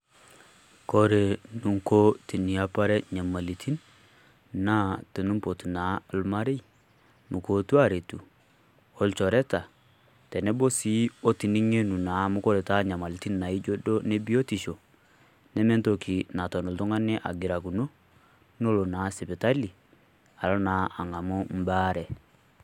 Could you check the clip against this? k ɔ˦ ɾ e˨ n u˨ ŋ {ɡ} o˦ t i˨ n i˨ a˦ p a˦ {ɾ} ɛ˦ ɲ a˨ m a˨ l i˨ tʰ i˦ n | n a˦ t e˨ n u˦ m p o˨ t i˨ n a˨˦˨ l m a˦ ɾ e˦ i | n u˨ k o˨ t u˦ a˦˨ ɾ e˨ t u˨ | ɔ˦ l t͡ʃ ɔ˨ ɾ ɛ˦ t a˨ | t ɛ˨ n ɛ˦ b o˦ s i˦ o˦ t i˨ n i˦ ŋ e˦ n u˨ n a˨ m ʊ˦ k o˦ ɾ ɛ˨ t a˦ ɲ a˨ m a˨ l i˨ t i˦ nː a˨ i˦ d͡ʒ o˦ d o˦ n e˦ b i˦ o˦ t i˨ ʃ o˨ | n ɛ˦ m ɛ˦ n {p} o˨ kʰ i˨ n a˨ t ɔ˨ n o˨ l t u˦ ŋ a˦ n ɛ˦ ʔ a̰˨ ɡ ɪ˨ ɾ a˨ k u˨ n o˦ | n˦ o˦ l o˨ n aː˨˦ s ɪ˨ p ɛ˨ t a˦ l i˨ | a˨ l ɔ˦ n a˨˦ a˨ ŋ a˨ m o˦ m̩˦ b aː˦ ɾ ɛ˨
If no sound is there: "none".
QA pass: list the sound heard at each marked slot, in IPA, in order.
k, ɾ, t

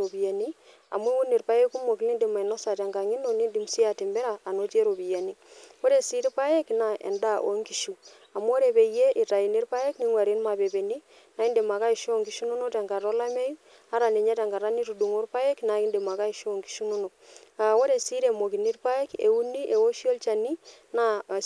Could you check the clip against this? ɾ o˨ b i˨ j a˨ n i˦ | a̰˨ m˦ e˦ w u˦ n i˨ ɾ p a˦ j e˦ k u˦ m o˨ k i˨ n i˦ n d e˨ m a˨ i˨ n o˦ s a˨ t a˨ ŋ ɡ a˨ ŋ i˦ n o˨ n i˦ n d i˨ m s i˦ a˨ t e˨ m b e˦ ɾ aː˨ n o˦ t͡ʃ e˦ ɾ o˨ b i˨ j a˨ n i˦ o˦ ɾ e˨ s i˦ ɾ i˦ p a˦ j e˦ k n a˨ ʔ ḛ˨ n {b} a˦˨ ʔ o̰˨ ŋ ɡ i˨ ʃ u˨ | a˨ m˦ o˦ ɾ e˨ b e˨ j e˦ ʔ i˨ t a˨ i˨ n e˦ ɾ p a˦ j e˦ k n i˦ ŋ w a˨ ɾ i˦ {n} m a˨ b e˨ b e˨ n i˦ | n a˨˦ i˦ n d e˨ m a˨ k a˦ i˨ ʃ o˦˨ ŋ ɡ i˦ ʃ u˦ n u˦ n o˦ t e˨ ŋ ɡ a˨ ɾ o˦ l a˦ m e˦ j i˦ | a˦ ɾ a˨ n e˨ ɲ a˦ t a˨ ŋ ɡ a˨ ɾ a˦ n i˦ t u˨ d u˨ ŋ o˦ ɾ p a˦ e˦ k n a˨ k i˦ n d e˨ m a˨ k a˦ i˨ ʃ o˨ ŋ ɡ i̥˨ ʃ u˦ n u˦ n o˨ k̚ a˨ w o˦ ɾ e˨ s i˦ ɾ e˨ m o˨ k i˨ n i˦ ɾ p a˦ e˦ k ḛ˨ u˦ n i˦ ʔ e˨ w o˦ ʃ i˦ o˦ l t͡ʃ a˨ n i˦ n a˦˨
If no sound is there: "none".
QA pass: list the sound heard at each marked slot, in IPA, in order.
d, n

